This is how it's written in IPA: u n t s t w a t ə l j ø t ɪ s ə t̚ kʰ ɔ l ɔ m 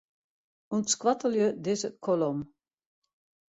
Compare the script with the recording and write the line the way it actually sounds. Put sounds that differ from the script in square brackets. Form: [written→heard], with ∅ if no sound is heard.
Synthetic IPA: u n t s [t→k] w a t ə l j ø [t→d] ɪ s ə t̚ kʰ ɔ l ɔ m